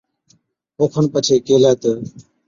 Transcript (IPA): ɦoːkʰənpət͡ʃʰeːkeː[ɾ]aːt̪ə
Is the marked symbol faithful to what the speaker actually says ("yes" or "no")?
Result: no